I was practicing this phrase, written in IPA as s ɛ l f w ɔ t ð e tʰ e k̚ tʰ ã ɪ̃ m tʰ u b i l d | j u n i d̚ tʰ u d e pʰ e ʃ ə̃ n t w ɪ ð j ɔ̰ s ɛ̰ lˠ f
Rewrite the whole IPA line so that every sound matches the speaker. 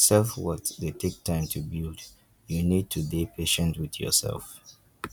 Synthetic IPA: s ɛ l f w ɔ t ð e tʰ e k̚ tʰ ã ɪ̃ m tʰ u b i l d | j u n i d̚ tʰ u d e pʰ e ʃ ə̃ n t w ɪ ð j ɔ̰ s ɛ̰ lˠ f